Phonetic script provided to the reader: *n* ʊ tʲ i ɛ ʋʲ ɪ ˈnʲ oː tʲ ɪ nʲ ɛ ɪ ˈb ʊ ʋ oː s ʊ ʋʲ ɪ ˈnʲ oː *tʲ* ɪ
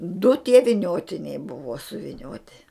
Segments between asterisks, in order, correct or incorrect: incorrect: d, correct

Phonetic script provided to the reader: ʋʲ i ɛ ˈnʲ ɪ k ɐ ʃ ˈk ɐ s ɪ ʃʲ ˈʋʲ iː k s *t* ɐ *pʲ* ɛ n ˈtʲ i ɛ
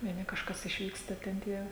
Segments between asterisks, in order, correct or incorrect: correct, incorrect: tʲ

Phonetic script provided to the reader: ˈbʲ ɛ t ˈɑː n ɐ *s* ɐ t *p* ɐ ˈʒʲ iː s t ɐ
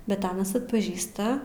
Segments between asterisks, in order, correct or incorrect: correct, correct

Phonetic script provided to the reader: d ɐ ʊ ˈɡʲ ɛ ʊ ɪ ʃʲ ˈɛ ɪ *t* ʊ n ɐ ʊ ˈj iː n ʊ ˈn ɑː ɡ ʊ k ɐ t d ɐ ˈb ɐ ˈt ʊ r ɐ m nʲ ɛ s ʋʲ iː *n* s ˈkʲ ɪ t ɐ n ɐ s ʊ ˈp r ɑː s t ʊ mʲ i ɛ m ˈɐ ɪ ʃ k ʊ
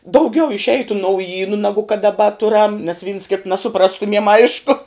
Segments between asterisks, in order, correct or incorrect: correct, correct

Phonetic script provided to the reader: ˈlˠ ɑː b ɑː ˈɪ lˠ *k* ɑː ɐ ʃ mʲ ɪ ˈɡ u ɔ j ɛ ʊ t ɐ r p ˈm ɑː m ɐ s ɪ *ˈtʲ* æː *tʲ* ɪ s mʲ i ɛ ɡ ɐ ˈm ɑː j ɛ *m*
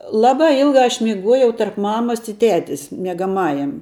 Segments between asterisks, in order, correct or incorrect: incorrect: ɡ, correct, correct, correct

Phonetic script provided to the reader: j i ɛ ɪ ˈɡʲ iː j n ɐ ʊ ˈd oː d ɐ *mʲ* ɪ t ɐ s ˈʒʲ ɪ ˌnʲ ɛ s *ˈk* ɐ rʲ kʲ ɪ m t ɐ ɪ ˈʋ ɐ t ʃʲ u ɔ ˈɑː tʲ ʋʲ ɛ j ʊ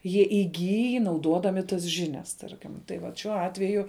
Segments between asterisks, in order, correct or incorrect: correct, incorrect: t

